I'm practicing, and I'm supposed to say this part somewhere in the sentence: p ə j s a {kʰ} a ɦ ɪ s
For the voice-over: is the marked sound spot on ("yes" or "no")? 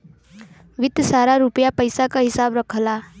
no